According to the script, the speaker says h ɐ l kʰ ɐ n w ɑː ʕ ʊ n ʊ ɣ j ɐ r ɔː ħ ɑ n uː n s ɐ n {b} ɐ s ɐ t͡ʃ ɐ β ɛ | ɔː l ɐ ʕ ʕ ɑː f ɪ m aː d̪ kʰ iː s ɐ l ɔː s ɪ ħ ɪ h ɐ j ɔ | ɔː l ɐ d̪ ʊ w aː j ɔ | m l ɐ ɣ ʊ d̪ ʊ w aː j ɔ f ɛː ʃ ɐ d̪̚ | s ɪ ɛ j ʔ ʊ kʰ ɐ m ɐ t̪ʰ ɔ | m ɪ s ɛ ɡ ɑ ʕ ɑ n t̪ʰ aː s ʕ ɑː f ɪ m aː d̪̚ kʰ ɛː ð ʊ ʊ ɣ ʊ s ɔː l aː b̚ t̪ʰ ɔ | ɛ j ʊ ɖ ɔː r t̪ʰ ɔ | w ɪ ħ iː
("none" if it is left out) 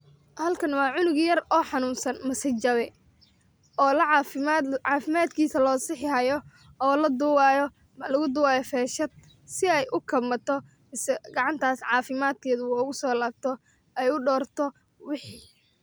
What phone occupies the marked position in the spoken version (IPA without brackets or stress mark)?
m